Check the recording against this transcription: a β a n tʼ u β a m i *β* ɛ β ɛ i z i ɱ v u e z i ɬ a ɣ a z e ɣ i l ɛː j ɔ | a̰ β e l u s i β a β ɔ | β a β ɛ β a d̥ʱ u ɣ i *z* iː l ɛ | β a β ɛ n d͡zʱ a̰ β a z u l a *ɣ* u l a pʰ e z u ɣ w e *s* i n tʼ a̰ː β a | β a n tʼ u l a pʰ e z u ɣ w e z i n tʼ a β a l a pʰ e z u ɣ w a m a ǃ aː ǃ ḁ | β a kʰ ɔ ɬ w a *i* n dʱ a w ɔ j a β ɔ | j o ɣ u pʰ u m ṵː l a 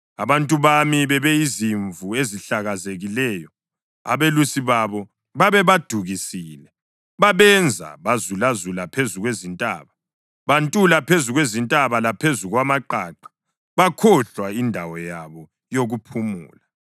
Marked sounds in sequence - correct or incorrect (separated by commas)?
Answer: correct, incorrect, incorrect, incorrect, correct